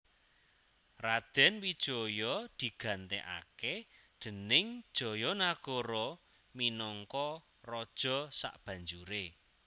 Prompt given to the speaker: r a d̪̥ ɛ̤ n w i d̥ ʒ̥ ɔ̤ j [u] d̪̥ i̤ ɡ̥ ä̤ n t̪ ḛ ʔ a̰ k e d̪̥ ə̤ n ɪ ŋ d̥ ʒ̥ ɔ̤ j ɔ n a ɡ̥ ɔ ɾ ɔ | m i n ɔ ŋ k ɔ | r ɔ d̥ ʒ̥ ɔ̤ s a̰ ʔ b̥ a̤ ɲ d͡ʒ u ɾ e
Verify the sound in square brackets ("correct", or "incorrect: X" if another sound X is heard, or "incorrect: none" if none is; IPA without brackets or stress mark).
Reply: incorrect: ɔ